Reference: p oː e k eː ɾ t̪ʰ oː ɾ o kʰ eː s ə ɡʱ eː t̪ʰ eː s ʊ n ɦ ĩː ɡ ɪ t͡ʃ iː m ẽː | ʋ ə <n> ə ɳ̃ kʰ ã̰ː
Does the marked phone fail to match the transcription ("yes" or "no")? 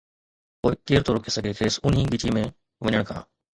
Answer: yes